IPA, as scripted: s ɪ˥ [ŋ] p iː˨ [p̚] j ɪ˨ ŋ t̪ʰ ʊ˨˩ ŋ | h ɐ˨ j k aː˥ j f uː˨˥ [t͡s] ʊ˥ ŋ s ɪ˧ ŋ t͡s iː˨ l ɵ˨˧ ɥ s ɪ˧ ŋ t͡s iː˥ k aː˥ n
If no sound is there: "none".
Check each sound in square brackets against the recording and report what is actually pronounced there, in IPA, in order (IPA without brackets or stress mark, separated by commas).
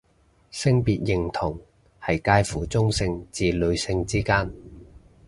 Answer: ŋ, t̚, t͡s